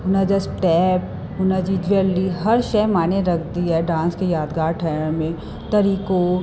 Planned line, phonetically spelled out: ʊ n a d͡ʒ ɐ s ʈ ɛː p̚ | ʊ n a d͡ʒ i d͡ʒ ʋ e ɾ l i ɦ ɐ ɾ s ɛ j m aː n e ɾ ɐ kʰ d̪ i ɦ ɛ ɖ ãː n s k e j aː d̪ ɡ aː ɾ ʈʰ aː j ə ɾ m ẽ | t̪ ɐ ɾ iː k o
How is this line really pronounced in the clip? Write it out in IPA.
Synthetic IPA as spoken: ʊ n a d͡ʒ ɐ s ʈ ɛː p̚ | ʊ n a d͡ʒ i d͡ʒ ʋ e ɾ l i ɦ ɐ ɾ ʃ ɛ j m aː n e ɾ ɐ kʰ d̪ i ɦ ɛ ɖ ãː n s k e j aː d̪ ɡ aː ɾ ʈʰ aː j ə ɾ m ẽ | t̪ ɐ ɾ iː k o